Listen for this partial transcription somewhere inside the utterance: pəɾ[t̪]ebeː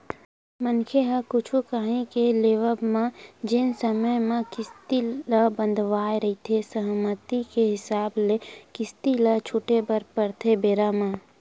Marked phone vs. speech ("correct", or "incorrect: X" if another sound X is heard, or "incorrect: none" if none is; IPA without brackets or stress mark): incorrect: t̪ʰ